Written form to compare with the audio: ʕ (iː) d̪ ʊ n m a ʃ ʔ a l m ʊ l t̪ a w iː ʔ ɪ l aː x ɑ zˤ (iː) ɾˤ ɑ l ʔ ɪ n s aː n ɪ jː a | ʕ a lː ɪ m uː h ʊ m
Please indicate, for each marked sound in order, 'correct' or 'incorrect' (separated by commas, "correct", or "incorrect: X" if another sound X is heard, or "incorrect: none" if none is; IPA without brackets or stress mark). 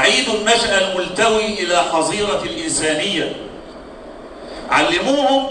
correct, correct